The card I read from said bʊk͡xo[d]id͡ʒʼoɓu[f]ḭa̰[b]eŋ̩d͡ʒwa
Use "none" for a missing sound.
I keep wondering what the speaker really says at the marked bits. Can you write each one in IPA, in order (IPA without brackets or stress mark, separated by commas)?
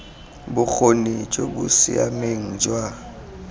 n, s, m